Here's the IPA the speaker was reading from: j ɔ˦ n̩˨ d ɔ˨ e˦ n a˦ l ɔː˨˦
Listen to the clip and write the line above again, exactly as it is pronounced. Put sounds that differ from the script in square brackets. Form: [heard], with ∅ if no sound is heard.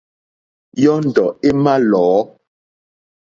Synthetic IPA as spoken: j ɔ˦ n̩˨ d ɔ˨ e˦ [m] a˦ l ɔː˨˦